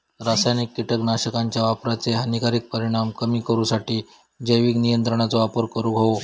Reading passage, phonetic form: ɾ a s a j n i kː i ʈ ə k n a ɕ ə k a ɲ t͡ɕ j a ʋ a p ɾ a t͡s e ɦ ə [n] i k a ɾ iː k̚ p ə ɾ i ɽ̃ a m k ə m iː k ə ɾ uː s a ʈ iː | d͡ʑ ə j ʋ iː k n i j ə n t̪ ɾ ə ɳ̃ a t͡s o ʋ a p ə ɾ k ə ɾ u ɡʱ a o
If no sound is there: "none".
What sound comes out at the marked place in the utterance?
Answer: n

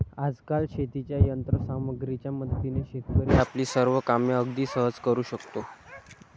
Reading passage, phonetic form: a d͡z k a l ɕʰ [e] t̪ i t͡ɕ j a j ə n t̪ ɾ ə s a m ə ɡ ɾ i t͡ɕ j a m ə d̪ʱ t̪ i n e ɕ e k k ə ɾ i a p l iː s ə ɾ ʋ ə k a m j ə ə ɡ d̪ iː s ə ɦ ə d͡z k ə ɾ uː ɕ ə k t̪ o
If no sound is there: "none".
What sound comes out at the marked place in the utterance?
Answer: e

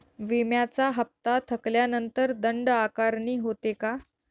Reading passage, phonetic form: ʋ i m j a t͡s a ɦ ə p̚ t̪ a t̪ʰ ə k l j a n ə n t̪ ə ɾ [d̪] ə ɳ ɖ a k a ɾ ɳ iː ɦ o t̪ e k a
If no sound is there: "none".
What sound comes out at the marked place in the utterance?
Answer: d̪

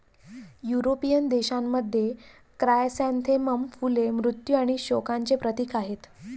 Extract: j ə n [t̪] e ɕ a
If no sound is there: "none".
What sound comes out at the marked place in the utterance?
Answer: d̪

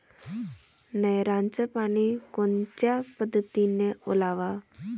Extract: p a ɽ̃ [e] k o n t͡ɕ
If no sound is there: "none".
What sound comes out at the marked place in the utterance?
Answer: i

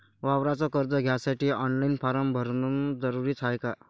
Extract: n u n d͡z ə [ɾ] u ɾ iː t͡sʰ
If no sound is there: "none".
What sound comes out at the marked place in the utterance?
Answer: ɾ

